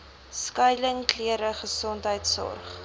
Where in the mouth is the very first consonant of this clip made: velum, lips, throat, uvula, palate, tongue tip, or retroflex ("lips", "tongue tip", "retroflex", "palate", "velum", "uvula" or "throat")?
tongue tip